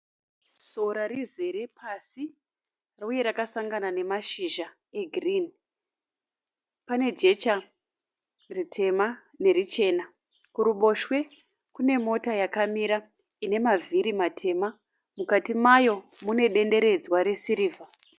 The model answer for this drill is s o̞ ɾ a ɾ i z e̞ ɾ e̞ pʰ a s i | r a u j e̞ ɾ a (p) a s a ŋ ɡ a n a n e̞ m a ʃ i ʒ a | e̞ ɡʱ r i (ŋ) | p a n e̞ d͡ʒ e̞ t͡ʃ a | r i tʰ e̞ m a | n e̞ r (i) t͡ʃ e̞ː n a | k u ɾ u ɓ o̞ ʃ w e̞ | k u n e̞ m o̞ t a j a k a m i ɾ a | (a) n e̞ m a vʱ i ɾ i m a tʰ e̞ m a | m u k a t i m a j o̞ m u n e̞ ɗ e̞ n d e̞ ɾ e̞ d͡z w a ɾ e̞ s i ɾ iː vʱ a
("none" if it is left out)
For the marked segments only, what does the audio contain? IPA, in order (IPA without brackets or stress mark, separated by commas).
k, n, i, i